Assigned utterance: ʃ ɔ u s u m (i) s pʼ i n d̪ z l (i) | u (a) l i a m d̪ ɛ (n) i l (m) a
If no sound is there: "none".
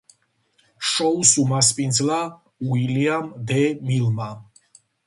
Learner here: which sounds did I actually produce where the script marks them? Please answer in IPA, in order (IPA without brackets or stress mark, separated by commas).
a, a, i, m, m